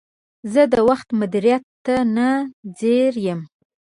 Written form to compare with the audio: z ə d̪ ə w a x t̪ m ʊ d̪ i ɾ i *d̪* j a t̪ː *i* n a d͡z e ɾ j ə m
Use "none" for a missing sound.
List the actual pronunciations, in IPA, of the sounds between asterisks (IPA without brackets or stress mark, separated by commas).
none, a